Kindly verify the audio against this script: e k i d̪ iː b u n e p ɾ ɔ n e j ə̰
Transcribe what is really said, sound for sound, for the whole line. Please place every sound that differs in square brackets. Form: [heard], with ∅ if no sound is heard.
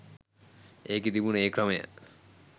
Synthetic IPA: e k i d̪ [i] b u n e [k] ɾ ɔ [m] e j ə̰